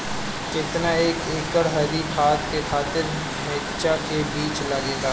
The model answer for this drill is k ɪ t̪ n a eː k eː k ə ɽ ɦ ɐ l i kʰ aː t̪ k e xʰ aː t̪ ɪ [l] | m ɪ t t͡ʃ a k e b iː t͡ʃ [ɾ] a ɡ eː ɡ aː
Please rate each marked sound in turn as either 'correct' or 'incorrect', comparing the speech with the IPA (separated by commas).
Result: incorrect, incorrect